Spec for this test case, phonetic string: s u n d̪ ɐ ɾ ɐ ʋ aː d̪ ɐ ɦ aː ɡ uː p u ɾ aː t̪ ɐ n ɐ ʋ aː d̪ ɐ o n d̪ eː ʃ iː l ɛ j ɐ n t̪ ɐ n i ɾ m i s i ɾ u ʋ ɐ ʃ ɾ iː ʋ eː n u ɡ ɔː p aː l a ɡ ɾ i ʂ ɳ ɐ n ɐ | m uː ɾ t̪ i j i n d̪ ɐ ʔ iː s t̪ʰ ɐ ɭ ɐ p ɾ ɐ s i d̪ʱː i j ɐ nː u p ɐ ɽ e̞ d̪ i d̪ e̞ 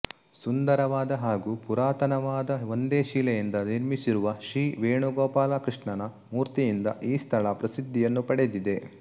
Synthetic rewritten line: s u n d̪ ɐ ɾ ɐ ʋ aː d̪ ɐ ɦ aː ɡ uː p u ɾ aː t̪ ɐ n ɐ ʋ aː d̪ ɐ o n d̪ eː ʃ iː l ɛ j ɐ n d̪ ɐ n i ɾ m i s i ɾ u ʋ ɐ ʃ ɾ iː ʋ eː ɳ u ɡ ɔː p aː l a k ɾ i ʂ ɳ ɐ n ɐ | m uː ɾ t̪ i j i n d̪ ɐ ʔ iː s t̪ʰ ɐ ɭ ɐ p ɾ ɐ s i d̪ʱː i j ɐ nː u p ɐ ɽ e̞ d̪ i d̪ e̞